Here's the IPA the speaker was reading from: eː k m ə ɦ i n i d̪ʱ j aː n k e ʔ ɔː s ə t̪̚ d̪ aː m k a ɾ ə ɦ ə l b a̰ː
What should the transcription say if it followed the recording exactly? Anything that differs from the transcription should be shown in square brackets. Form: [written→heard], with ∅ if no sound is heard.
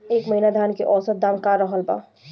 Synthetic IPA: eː k m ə ɦ i n [i→a] d̪ʱ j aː n k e ʔ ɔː s ə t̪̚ d̪ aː m k a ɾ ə ɦ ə l b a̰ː